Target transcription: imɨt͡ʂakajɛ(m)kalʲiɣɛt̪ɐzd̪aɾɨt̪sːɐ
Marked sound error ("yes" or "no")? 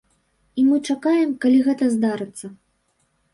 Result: no